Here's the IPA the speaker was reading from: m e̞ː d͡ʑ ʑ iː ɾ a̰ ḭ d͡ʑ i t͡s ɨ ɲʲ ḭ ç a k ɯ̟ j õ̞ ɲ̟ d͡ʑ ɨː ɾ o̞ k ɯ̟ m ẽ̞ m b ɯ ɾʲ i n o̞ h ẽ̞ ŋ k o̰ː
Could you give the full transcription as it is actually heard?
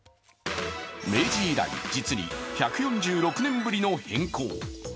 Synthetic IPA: m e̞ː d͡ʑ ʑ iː ɾ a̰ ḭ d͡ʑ i t͡s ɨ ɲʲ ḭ ç a k ɯ̟ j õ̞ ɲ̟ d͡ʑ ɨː ɾ o̞ k ɯ̟ n ẽ̞ m b ɯ ɾʲ i n o̞ h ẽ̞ ŋ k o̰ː